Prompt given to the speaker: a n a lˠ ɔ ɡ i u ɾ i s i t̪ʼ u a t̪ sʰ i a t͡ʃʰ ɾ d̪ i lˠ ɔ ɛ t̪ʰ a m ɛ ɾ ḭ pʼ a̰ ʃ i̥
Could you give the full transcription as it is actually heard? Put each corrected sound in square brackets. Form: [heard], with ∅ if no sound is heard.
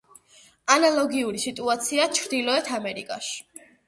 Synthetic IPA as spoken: a n a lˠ ɔ ɡ i u ɾ i s i t̪ʼ u a t̪ sʰ i a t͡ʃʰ ɾ d̪ i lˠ ɔ ɛ t̪ʰ a m ɛ ɾ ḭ [kʼ] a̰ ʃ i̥